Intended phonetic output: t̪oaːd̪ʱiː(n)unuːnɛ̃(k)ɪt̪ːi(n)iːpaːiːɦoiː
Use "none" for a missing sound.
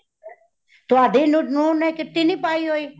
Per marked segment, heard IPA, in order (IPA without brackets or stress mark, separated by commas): n, k, n